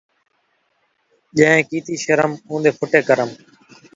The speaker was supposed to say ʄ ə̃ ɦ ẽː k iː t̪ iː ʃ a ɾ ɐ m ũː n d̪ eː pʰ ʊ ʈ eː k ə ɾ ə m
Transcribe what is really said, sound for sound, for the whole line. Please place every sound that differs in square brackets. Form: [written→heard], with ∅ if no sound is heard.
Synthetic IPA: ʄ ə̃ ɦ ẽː k iː t̪ iː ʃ [a→ə] ɾ [ɐ→ə] m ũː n d̪ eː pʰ ʊ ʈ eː k ə ɾ ə m